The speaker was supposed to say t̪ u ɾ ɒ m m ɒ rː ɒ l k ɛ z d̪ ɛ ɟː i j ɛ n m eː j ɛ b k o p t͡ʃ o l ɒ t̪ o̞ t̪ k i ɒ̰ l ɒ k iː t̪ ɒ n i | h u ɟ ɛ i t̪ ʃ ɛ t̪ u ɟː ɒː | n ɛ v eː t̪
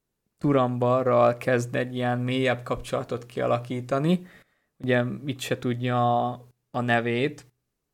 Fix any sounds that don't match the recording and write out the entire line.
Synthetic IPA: t̪ u ɾ ɒ m b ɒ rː ɒ l k ɛ z d̪ ɛ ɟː i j ɛ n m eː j ɛ b k ɒ p t͡ʃ o l ɒ t̪ o̞ t̪ k i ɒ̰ l ɒ k iː t̪ ɒ n i | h u ɟ ɛ i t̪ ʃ ɛ t̪ u ɟː ɒː | n ɛ v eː t̪